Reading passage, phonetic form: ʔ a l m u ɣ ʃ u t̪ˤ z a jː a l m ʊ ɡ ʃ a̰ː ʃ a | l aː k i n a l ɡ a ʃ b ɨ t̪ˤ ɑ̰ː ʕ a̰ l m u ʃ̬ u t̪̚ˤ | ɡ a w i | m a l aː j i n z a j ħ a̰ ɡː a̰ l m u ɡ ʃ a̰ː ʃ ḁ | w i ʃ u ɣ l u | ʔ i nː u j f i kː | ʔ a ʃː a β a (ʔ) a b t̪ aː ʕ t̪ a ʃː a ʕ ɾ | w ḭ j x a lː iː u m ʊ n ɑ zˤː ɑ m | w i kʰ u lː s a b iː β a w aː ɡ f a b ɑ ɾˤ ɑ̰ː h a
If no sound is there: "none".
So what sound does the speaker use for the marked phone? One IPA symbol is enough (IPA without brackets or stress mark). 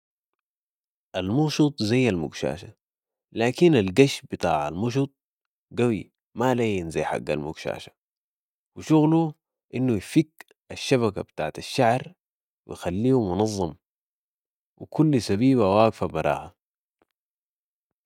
k